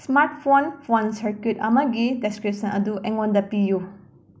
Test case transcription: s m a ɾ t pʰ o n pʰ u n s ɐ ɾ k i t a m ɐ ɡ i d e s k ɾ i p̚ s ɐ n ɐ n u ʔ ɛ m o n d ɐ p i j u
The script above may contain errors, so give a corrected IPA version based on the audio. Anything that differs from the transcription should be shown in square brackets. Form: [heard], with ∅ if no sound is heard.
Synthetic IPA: s m a ɾ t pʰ o n pʰ [o] n s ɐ ɾ k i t [ɐ] m ɐ ɡ i d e s k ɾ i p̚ s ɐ n ɐ [d] u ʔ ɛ [ŋ] o n d ɐ p i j u